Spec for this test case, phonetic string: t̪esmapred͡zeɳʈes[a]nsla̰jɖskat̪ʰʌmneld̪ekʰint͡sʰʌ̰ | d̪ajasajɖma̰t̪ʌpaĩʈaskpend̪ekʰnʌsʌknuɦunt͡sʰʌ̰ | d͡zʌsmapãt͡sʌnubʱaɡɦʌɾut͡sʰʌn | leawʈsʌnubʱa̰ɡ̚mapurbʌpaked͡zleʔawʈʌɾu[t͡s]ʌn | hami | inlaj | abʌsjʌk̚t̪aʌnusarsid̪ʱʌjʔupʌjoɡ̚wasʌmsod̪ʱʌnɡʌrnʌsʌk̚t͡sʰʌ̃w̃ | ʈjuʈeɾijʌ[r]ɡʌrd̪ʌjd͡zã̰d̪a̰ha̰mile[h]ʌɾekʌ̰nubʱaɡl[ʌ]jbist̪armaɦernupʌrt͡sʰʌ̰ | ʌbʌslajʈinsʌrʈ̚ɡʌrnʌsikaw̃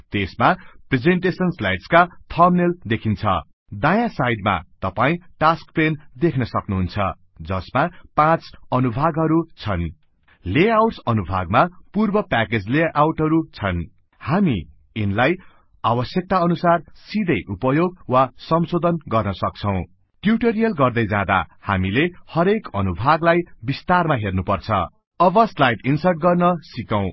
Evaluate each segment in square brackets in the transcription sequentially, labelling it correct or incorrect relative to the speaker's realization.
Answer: incorrect: ʌ, incorrect: t͡sʰ, incorrect: l, correct, incorrect: a

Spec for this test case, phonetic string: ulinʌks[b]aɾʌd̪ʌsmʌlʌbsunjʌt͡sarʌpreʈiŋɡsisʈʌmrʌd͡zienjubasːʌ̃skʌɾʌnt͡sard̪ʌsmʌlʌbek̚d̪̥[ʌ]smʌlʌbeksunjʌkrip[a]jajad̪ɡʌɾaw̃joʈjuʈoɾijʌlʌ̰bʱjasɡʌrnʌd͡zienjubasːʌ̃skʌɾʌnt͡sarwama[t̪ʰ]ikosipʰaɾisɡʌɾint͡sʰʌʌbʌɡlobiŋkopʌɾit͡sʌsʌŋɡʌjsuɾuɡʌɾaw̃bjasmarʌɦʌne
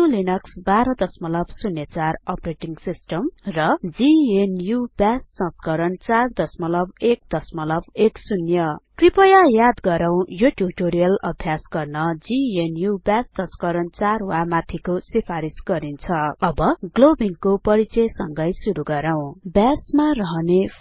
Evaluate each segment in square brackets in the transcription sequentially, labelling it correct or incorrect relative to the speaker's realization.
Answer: correct, correct, incorrect: ʌ, correct

